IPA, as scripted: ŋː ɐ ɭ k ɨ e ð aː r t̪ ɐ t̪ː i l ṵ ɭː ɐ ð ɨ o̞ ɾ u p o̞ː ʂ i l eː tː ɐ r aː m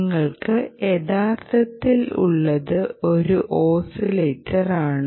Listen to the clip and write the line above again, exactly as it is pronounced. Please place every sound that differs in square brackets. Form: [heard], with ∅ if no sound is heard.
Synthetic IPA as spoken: ŋː ɐ ɭ k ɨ e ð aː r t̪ ɐ t̪ː i l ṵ ɭː ɐ ð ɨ o̞ ɾ u [ʔ] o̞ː [s] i l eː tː ɐ r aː [ɳ]